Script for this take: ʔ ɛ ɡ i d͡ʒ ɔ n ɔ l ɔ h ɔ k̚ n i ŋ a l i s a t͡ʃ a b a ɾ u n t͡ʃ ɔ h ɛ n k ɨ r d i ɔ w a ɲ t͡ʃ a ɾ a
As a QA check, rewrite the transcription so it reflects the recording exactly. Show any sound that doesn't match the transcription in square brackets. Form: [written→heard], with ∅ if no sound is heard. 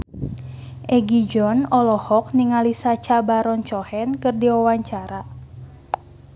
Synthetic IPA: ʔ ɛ ɡ i d͡ʒ ɔ n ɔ l ɔ h ɔ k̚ n i ŋ a l i s a t͡ʃ a b a ɾ [u→ɔ] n t͡ʃ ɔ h ɛ n k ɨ r d i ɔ w a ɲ t͡ʃ a ɾ a